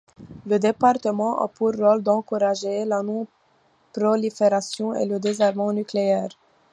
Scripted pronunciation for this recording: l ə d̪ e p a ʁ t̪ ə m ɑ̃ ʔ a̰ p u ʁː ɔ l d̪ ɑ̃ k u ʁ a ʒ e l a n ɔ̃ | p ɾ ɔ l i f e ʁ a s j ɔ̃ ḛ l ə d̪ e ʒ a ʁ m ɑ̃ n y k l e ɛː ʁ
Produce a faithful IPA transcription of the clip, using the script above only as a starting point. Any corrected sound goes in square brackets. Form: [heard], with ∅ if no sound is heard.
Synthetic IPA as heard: l ə d̪ e p a ʁ t̪ ə m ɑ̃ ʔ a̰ p u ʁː ɔ l d̪ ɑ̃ k u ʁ a ʒ e l a n ɔ̃ | p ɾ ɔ l i f e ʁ a s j ɔ̃ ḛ l ə d̪ e [z] a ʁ m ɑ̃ n y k l e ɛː ʁ